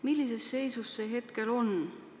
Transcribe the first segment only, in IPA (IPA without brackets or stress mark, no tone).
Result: m